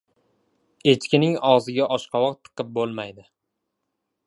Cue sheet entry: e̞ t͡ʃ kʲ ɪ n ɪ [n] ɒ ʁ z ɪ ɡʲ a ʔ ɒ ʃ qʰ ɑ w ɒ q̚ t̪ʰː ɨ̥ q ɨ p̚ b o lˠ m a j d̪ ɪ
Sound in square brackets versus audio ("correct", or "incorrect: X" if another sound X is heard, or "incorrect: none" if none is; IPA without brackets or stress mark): incorrect: ŋ